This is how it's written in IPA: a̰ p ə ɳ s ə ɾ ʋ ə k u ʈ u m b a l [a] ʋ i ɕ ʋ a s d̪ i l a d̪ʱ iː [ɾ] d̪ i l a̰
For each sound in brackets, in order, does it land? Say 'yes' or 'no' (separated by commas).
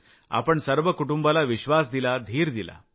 yes, yes